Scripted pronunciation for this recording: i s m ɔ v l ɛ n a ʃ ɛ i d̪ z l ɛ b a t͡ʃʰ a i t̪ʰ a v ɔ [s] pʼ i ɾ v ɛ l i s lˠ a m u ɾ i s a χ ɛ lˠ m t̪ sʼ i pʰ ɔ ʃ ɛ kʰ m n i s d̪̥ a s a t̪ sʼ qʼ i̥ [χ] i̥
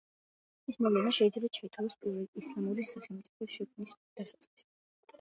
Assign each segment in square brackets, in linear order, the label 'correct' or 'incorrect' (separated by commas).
correct, incorrect